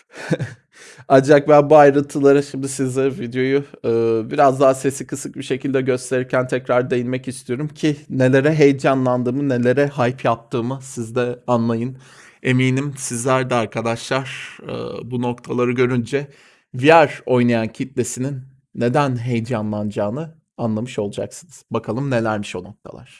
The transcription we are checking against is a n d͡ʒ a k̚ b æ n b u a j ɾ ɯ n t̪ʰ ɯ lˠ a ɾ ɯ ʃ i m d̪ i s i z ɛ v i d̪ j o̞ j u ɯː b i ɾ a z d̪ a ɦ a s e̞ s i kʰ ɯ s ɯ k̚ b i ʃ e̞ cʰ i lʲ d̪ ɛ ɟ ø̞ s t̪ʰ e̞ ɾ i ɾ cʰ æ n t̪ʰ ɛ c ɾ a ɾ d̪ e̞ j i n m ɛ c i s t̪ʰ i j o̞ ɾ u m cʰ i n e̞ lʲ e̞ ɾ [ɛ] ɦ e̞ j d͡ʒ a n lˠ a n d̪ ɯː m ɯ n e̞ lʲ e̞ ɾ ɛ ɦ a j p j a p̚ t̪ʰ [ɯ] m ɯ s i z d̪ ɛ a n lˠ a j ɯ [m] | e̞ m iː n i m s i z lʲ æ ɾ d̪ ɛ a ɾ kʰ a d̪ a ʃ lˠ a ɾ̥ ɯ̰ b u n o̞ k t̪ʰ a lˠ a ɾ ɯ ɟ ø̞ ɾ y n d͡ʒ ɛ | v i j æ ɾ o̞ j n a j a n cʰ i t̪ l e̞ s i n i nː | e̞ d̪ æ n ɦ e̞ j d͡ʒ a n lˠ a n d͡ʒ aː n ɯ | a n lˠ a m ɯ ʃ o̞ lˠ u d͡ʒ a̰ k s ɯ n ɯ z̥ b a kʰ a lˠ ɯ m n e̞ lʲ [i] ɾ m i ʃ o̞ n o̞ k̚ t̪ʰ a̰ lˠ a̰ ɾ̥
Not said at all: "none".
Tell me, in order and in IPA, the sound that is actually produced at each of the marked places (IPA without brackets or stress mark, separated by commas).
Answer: ɛ, ɯː, n, æ